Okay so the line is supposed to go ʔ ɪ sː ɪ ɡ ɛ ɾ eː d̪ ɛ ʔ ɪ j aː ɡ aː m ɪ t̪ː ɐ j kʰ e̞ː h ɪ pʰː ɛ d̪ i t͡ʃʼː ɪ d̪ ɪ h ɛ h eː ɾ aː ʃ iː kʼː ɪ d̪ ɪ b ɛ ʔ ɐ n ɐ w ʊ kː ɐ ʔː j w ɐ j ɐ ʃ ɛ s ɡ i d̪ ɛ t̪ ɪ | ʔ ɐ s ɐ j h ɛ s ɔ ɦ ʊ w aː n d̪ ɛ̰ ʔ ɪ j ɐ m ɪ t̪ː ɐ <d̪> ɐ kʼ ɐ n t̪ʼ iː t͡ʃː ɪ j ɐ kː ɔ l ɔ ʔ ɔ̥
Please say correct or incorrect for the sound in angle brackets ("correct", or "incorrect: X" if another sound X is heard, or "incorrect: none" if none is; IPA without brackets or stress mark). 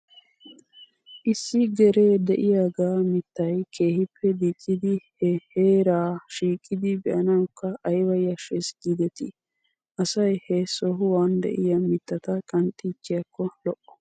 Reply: incorrect: t̪